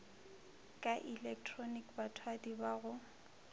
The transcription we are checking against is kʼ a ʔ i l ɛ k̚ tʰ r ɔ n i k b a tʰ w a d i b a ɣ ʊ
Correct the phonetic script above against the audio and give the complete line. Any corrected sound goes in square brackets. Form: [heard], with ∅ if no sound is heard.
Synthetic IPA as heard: kʼ a ʔ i l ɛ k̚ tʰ r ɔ n i k b a tʰ w a d i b a ɣ ʊ